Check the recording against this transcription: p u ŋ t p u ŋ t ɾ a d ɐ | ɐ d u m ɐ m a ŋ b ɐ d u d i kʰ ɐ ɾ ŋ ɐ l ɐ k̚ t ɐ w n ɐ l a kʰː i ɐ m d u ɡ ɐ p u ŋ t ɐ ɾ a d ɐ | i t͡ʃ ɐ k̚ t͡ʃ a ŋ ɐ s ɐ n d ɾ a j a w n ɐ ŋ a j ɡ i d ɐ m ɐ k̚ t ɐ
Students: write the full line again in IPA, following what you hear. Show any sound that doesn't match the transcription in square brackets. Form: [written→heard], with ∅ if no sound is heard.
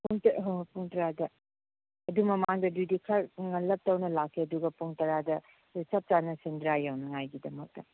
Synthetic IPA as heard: p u ŋ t p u ŋ t ɾ a d ɐ | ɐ d u m ɐ m a ŋ [b→d] ɐ d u d i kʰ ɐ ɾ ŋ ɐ l ɐ [k̚→p̚] t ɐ w n ɐ l a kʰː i ɐ [m→∅] d u ɡ ɐ p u ŋ t ɐ ɾ a d ɐ | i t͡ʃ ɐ [k̚→p̚] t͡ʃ a [ŋ→n] ɐ s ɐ n d ɾ a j a w n ɐ ŋ a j ɡ i d ɐ m ɐ k̚ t ɐ